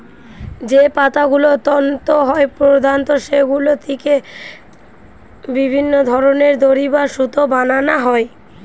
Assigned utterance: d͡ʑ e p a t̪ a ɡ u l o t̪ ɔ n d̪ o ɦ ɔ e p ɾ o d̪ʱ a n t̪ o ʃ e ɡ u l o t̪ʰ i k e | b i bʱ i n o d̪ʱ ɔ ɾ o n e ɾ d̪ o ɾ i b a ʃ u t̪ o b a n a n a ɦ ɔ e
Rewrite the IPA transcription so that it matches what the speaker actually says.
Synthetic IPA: d͡ʑ e p a t̪ a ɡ u l o t̪ ɔ n t̪ o ɦ ɔ e p ɾ o d̪ʱ a n t̪ o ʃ e ɡ u l o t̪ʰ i k e | b i bʱ i nː o d̪ʱ ɔ ɾ o n e ɾ d̪ o ɾ i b a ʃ u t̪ o b a n a n a ɦ ɔ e